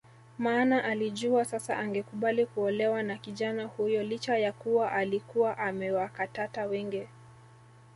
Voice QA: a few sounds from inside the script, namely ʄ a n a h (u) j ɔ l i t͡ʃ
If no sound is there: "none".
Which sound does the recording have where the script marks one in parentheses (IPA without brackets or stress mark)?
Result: u